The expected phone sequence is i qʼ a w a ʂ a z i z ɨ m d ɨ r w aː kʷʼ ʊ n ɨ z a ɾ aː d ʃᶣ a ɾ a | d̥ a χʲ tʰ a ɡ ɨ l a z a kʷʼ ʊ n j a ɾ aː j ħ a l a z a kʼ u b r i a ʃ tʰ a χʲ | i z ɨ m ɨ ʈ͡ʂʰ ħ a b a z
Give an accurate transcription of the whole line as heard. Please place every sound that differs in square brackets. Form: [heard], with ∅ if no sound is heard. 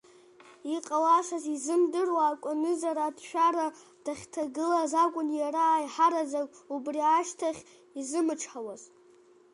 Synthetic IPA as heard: i qʼ a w a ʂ a z i z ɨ m d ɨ r w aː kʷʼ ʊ n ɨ z a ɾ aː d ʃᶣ a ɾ a | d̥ a χʲ tʰ a ɡ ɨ l a z a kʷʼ ʊ n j a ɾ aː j ħ a [ɾ] a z a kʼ u b r i a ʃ tʰ a χʲ | i z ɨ m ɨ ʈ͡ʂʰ ħ a [w] a z

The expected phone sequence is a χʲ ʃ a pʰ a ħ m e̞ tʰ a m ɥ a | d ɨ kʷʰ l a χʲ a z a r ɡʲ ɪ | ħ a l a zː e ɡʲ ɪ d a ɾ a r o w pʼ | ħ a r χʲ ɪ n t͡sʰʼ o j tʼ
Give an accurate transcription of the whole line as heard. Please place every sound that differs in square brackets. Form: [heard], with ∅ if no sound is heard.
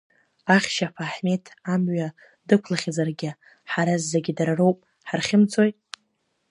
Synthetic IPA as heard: a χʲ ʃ a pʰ a ħ m e̞ tʰ a m ɥ a | d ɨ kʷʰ l a χʲ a z a r ɡʲ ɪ | ħ a [ɾ] a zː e ɡʲ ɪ d a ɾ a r o w pʼ | ħ a r χʲ ɪ [m] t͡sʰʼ o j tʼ

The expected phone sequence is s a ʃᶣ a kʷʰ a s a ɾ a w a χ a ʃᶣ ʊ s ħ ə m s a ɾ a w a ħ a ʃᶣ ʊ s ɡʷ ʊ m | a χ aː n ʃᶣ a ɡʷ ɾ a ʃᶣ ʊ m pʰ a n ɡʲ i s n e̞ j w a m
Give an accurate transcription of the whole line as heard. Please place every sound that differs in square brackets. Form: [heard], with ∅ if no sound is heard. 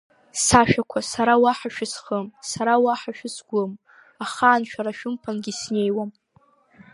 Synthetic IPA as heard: s a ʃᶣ a kʷʰ a s a ɾ a w a [ħ] a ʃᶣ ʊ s [χ] ə m s a ɾ a w a ħ a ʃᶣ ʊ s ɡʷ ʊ m | a χ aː n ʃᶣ a [∅] ɾ a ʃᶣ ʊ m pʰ a n ɡʲ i s n e̞ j w a m

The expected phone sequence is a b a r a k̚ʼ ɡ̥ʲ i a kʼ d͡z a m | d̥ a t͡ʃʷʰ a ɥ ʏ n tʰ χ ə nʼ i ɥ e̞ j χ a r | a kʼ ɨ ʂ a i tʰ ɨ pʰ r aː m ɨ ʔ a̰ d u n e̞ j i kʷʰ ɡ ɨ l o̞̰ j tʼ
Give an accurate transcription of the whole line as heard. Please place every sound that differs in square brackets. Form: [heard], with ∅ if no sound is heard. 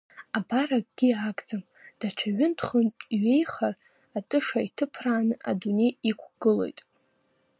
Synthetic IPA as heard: a b a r a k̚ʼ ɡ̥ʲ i a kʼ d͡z a m | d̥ a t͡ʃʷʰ a ɥ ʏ n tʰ χ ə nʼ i ɥ e̞ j χ a r | a [tʼ] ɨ ʂ a i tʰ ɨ pʰ r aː [n] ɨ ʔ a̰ d u n e̞ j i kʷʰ ɡ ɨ l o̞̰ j tʼ

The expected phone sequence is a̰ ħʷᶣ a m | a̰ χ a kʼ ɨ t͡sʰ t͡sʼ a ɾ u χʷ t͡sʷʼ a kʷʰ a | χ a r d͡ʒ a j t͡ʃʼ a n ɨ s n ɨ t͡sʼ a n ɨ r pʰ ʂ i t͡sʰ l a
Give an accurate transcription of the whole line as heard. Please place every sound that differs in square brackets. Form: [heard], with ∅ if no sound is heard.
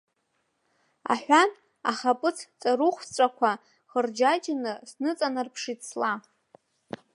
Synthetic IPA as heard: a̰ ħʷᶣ a [n] | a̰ χ a [pʼ] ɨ t͡sʰ t͡sʼ a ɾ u χʷ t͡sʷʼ a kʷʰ a | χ [ə] r d͡ʒ a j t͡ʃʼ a n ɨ s n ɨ t͡sʼ a n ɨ r pʰ ʂ i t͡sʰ l a

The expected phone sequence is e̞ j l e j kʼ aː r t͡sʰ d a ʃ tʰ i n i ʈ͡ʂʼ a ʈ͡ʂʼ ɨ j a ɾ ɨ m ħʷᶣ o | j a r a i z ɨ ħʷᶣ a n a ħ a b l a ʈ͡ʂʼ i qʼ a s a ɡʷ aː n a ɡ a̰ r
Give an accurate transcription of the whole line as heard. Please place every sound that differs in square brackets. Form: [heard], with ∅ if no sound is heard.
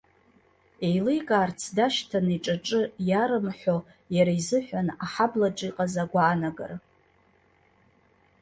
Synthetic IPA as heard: e̞ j l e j kʼ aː r t͡sʰ d a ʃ tʰ [a] n i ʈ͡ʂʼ a ʈ͡ʂʼ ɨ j a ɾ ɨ m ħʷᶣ o | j a [ɾ] a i z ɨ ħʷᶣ a n a ħ a b l a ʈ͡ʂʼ i qʼ a [z] a ɡʷ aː n a ɡ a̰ r

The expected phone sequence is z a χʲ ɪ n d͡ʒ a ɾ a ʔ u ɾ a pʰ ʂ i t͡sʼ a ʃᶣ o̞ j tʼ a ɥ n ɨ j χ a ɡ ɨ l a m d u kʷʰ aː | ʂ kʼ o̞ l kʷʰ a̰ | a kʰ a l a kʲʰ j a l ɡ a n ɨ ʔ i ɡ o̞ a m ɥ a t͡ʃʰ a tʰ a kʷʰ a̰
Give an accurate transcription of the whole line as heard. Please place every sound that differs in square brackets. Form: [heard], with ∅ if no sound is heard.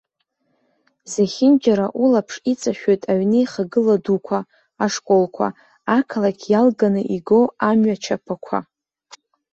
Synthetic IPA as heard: z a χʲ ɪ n d͡ʒ a ɾ a ʔ u [l] a pʰ ʂ i t͡sʼ a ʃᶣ o̞ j tʼ a ɥ n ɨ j χ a ɡ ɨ l a [∅] d u kʷʰ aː | ʂ kʼ o̞ l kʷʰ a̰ | a kʰ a l a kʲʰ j a l ɡ a n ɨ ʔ i ɡ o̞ a m ɥ a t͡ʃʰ a [pʰ] a kʷʰ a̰

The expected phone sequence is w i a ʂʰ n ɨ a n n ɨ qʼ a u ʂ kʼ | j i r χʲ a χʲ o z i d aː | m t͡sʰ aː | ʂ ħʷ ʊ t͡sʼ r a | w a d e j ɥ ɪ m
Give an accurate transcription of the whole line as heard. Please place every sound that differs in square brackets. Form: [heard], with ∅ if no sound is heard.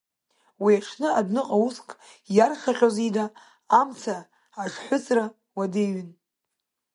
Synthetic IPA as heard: w i a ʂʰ n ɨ a [d] n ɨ qʼ a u [s] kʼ | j [a] r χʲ a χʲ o z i d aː | m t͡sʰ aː | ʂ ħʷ ʊ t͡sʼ r a | w a d e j ɥ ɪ [n]

